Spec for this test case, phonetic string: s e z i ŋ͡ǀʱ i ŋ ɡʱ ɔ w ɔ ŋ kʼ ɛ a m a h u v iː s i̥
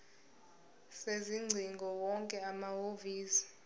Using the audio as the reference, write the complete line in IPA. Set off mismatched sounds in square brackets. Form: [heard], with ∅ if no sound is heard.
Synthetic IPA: s e z i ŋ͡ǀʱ i ŋ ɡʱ ɔ w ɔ ŋ kʼ ɛ a m a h [o] v iː s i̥